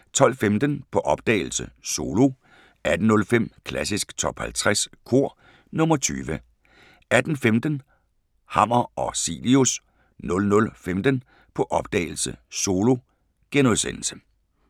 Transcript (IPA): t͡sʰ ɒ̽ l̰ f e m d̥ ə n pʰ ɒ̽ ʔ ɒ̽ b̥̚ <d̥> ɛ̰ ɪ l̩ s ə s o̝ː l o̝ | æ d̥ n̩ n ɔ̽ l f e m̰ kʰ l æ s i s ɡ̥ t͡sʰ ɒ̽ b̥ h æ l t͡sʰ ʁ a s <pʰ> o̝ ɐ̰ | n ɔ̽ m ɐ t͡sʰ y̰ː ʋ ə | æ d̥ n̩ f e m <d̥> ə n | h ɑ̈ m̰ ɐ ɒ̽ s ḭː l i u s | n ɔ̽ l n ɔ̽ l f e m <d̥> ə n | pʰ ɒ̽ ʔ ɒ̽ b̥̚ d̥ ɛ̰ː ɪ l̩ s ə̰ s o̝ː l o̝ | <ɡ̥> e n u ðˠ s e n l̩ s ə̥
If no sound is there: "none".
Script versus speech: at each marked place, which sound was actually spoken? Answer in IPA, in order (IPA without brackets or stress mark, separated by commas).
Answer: d̥, kʰ, d̥, d̥, ɡ̥